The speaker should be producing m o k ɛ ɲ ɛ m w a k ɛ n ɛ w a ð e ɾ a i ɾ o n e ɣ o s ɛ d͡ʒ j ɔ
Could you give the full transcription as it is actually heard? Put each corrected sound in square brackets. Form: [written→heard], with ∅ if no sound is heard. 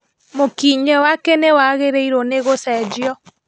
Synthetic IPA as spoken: m o k [ɛ→i] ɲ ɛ [m→∅] w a k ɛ n [ɛ→e] w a [ð→ɣ] e ɾ [a→e] i ɾ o n e ɣ o s ɛ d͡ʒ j ɔ